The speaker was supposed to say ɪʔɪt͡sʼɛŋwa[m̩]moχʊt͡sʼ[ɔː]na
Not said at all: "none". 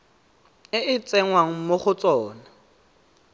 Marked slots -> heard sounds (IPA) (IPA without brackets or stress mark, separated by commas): ŋ̩, ɔː